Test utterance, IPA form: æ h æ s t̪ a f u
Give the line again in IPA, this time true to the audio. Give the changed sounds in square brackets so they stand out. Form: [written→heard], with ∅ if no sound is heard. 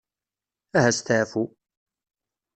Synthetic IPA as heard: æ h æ s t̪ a f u